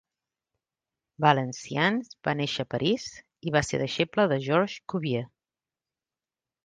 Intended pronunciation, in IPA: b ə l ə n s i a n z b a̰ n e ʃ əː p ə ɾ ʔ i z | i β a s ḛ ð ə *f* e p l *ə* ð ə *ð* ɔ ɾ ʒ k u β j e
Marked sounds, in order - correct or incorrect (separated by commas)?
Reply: incorrect, correct, incorrect